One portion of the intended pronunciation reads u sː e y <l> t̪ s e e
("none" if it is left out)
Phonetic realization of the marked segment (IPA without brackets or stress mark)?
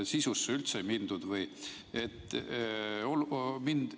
l